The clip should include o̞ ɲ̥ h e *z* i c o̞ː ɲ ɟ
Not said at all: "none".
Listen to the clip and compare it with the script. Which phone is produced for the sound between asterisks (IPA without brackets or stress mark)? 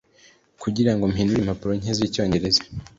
z